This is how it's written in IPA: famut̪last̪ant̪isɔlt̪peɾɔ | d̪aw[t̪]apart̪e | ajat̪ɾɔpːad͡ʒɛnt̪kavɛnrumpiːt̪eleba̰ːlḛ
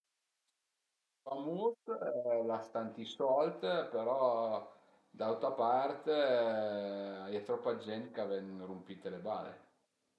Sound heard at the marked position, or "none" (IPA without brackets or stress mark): t̪